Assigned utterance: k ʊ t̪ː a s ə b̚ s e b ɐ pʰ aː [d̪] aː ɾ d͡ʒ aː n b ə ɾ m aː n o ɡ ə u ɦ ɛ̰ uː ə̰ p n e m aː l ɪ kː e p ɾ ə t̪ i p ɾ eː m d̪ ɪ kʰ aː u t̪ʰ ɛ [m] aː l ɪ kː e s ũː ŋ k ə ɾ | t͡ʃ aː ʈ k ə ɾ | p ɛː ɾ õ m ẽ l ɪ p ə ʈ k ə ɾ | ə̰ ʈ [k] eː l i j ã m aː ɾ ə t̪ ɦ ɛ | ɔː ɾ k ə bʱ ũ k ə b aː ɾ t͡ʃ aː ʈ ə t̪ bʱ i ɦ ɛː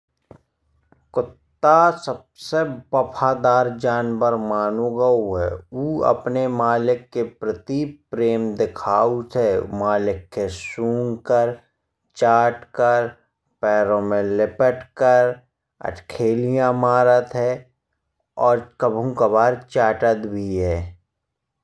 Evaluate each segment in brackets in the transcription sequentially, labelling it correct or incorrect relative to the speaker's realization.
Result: correct, correct, incorrect: kʰ

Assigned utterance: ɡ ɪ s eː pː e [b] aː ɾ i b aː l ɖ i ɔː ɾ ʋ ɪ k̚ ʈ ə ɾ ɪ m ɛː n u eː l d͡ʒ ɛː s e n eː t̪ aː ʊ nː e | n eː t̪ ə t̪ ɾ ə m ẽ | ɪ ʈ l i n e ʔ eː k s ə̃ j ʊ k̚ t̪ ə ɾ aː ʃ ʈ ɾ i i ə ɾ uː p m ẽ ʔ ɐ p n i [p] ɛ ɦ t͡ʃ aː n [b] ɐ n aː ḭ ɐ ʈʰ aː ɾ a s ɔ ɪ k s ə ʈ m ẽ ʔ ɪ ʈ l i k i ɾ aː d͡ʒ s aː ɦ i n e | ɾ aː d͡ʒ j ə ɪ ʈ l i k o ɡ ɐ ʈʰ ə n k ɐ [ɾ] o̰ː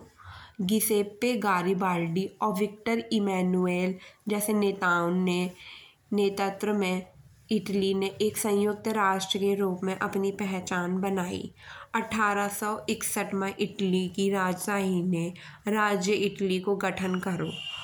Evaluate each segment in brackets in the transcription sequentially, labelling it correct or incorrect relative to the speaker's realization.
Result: incorrect: ɡ, correct, correct, correct

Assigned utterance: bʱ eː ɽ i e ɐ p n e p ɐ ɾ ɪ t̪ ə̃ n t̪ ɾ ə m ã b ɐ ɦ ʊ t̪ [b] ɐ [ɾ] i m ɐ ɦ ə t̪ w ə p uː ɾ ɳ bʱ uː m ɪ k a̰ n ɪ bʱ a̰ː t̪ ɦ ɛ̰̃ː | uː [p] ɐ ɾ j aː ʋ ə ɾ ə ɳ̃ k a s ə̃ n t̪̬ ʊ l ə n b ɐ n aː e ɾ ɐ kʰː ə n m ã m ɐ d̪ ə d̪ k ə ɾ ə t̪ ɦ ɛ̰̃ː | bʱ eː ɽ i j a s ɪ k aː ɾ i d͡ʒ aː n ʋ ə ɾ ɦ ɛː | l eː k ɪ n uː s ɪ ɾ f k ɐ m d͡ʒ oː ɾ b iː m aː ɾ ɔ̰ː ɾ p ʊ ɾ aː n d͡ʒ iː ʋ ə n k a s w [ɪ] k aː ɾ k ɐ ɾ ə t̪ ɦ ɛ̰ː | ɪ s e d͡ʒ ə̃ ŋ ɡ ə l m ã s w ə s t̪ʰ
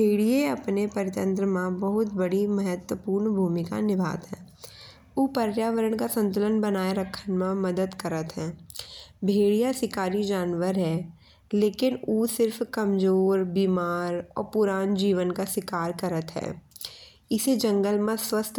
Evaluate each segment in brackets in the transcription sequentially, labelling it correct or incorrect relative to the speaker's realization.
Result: correct, incorrect: ɽ, correct, correct

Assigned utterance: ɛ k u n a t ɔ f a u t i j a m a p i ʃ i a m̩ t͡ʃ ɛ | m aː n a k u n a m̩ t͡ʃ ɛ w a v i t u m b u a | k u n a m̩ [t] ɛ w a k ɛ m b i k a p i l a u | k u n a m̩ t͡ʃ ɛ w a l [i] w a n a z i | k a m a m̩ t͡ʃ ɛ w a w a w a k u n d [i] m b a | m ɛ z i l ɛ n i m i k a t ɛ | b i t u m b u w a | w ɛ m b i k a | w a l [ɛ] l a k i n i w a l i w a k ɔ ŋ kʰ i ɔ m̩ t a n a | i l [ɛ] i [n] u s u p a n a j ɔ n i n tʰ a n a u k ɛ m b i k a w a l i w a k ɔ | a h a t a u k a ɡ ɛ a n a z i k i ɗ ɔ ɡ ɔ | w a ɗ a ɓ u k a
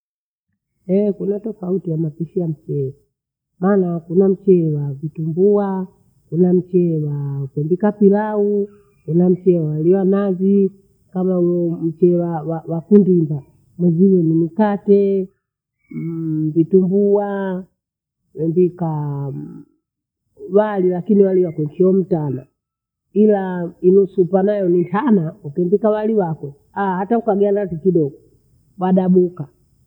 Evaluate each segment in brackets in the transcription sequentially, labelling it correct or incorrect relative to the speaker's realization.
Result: incorrect: t͡ʃ, correct, correct, incorrect: i, incorrect: a, correct

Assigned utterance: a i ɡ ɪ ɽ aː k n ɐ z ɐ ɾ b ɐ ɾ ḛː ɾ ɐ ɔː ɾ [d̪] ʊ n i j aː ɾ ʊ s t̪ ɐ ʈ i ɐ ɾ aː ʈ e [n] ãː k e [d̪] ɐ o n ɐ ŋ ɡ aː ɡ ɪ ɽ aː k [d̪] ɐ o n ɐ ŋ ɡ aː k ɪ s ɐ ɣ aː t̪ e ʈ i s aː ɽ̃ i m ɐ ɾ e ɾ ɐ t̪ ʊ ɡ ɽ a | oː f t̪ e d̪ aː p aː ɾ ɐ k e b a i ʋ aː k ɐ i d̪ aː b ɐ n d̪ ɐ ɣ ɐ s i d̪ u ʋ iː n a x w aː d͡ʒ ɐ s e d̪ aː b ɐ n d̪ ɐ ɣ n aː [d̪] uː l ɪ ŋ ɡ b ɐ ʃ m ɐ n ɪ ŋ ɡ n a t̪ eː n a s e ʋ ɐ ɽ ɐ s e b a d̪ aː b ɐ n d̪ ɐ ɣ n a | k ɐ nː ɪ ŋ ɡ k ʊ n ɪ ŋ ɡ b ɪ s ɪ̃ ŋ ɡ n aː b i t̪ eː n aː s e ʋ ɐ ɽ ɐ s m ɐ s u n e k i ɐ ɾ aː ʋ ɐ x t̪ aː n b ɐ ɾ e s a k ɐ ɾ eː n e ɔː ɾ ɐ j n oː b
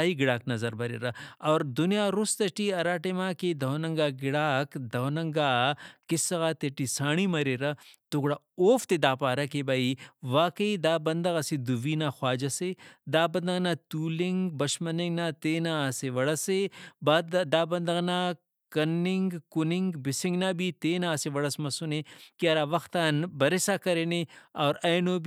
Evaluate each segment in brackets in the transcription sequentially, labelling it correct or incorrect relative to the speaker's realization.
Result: correct, incorrect: m, correct, correct, incorrect: t̪

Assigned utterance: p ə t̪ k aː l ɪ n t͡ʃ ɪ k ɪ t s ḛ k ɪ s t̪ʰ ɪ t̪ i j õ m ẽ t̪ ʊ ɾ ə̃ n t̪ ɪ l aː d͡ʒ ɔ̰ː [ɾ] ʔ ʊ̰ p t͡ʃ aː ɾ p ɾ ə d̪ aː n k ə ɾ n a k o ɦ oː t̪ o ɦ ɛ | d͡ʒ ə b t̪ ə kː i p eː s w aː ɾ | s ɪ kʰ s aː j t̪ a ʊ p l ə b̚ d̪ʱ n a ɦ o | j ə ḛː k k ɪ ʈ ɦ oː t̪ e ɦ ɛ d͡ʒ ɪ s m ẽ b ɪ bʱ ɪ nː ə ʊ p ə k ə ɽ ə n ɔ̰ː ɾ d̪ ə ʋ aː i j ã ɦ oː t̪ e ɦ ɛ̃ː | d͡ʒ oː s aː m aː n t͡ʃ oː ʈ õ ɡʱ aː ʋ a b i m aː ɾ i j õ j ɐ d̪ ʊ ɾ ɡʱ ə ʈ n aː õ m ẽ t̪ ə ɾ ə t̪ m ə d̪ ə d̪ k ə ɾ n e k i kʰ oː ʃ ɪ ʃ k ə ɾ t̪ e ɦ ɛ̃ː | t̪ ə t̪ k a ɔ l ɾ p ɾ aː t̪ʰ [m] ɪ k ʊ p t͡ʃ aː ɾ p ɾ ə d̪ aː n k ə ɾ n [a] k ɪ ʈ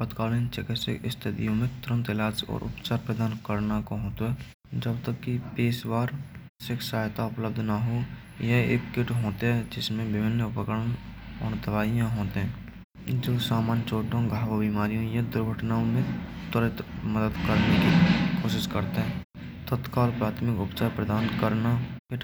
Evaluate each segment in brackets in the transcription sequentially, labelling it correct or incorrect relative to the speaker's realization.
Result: correct, correct, correct

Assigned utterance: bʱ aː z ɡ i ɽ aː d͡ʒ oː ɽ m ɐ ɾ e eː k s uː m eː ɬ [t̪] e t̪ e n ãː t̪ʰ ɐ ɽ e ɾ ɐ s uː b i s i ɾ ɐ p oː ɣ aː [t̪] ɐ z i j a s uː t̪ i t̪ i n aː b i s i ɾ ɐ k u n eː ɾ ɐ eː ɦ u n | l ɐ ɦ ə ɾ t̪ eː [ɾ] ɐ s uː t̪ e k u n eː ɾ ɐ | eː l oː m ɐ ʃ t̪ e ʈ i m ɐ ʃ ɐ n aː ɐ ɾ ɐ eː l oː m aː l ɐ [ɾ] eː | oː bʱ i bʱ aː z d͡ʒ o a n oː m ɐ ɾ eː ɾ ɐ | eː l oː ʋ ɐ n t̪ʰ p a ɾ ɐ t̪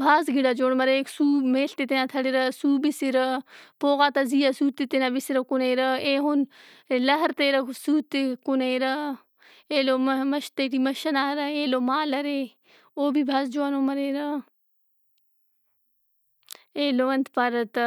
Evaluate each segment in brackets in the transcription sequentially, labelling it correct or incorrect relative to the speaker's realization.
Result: correct, correct, correct, correct

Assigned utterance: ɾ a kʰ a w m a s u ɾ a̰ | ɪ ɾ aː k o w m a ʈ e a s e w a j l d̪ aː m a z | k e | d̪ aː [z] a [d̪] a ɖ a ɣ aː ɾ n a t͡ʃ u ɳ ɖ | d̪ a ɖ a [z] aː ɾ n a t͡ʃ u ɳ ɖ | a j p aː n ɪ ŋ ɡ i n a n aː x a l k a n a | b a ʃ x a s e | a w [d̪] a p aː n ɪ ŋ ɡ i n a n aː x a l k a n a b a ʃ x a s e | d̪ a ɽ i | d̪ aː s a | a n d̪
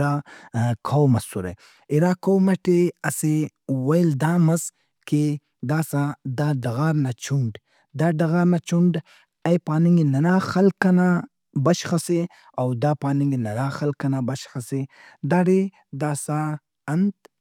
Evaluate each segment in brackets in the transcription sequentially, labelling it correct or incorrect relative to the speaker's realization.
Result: incorrect: s, correct, incorrect: ɣ, correct

